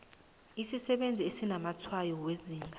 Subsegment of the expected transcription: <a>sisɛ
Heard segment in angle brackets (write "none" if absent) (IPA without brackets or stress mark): i